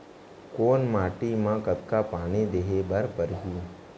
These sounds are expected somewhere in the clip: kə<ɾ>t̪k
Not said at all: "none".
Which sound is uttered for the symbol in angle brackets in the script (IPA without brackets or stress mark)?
none